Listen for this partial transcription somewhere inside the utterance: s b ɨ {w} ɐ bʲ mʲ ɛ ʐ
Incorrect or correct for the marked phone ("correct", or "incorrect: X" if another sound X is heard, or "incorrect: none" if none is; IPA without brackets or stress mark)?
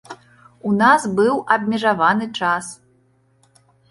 correct